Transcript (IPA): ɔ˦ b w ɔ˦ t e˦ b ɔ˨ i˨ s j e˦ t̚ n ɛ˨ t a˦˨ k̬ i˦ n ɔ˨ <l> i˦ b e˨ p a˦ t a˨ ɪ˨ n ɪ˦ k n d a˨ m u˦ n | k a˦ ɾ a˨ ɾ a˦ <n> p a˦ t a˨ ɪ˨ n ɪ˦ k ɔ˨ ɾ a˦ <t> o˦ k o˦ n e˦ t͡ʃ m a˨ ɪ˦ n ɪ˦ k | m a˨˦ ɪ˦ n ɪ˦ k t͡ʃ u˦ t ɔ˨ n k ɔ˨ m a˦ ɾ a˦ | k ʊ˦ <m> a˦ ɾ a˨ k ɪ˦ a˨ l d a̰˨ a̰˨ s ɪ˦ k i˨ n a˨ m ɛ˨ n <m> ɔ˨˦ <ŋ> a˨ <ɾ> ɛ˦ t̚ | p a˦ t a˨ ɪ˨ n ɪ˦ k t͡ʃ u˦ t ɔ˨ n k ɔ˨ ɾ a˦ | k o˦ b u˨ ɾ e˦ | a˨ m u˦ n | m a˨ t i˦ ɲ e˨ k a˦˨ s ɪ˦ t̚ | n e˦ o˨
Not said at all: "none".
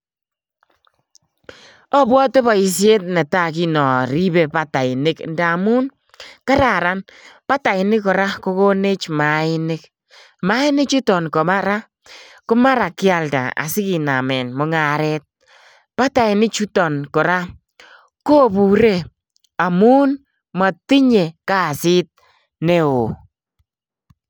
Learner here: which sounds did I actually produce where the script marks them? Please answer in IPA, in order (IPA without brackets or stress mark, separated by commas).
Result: ɾ, n, k, m, m, ŋ, ɾ